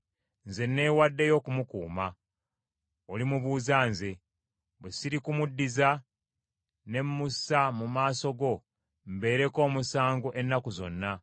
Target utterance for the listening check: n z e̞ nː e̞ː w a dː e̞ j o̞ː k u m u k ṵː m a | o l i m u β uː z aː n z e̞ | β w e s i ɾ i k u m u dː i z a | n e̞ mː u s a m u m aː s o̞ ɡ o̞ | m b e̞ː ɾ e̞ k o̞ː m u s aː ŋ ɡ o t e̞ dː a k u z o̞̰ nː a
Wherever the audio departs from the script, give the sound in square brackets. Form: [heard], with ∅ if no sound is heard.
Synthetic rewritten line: n z e̞ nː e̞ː w a dː e̞ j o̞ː k u m u k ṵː m a | o l i m u β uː z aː n z e̞ | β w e s i ɾ i k u m u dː i z a | n e̞ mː u s a m u m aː s o̞ ɡ o̞ | m b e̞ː ɾ e̞ k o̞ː m u s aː ŋ ɡ o [ʔ] e̞ [nː] a k u z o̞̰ nː a

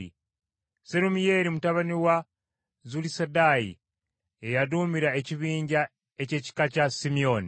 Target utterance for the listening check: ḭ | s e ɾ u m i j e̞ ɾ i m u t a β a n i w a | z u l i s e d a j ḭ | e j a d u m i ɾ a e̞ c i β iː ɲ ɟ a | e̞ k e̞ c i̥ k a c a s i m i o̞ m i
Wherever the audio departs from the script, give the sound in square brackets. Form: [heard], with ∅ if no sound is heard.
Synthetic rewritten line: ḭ | s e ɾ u m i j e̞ ɾ i m u t a β a n i w a | z u l i s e d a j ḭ | e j a d u m i ɾ a e̞ c i β iː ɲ ɟ a | e̞ [c] e̞ c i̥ k a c a s i m i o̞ [n] i

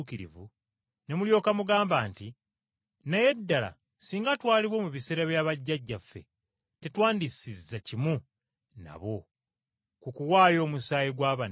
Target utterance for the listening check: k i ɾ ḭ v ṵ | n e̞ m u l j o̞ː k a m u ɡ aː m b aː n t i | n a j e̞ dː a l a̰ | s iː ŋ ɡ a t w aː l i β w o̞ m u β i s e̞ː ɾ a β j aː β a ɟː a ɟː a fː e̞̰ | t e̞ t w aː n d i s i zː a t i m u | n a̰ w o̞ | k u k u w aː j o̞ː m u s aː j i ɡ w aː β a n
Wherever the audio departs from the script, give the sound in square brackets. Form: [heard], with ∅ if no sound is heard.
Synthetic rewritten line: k i ɾ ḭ v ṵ | n e̞ m u l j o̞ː k a m u ɡ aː m b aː n t i | n a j e̞ dː a l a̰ | s iː ŋ ɡ a t w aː l i β w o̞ m u β i s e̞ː ɾ a β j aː β a ɟː a ɟː a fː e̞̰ | t e̞ t w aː n d i s i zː a [c] i m u | n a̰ [β] o̞ | k u k u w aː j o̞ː m u s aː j i ɡ w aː β a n

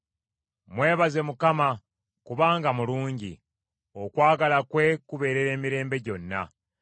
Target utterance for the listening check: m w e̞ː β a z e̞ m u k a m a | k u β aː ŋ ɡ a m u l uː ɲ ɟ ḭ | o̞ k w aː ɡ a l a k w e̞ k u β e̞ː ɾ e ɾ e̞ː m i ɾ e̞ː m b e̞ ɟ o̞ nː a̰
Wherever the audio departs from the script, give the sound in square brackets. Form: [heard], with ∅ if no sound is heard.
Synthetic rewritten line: m w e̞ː β a z e̞ m u k a m a | k u β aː ŋ ɡ a m u l uː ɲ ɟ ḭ | o̞ k w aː ɡ a l a k w e̞ k u β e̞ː ɾ e ɾ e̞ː m i ɾ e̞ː m b e̞ ɟ o̞ nː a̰

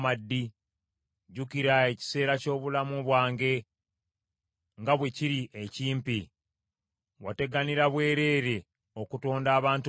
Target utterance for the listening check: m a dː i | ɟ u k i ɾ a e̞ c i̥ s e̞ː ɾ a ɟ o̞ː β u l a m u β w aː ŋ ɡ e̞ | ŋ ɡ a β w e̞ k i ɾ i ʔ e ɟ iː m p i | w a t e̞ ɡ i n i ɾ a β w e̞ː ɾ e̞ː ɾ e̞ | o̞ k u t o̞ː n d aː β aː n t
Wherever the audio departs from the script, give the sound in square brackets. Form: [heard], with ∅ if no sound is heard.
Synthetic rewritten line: m a dː i | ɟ u k i ɾ a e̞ c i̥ s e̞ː ɾ a [c] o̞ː β u l a m u β w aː ŋ ɡ e̞ | ŋ ɡ a β w e̞ [c] i ɾ i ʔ e [c] iː m p i | w a t e̞ ɡ [a] n i ɾ a β w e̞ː ɾ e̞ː ɾ e̞ | o̞ k u t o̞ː n d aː β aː n t

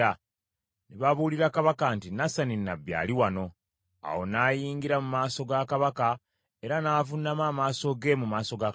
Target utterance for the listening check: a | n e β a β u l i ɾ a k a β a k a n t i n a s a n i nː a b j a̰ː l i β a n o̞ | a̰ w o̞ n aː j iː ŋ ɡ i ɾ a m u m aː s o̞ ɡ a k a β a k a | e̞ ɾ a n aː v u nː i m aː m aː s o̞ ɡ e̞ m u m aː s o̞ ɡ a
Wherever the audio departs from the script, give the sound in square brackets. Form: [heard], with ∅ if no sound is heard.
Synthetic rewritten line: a | n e β a β u l i ɾ a k a β a k a n t i n a s a n i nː a b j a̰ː l i [w] a n o̞ | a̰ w o̞ n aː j iː ŋ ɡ i ɾ a m u m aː s o̞ ɡ a k a β a k a | e̞ ɾ a n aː v u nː [a] m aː m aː s o̞ ɡ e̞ m u m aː s o̞ ɡ a

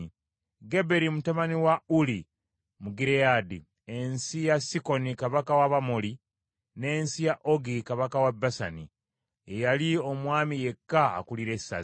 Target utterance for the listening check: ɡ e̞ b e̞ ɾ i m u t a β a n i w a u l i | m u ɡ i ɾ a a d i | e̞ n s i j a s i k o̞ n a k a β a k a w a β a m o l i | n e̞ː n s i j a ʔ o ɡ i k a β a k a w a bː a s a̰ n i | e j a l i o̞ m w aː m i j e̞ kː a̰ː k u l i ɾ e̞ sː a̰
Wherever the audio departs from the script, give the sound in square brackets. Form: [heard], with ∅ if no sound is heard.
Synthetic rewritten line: ɡ e̞ b e̞ ɾ i m u t a β a n i w a u l i | m u ɡ i ɾ [e] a d i | e̞ n s i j a s i k o̞ n [i] k a β a k a w a β a m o l i | n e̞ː n s i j a ʔ o ɡ i k a β a k a w a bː a s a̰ n i | e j a l i o̞ m w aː m i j e̞ kː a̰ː k u l i ɾ e̞ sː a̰

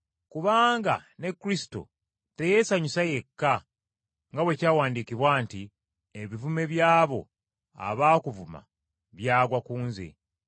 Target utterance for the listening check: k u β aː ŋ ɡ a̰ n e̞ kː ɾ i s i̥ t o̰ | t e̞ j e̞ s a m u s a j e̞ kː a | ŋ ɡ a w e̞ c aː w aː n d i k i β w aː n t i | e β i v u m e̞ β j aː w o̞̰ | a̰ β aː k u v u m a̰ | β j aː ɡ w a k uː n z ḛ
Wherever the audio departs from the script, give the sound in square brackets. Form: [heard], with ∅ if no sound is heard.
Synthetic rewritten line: k u β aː ŋ ɡ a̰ n e̞ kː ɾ i s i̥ t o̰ | t e̞ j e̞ s a [ɲ] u s a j e̞ kː a | ŋ ɡ a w e̞ c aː w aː n d i k i β w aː n t i | e β i v u m e̞ β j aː [β] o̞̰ | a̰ β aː k u v u m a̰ | β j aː ɡ w a k uː n z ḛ

